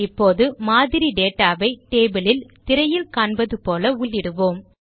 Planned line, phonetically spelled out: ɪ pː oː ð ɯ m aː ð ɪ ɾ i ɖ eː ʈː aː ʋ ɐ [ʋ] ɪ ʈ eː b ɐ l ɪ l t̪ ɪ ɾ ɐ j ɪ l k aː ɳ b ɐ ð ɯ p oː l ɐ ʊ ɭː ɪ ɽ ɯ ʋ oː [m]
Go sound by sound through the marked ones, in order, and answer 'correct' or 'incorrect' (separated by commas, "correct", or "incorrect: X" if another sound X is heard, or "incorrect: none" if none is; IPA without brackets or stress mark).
incorrect: none, correct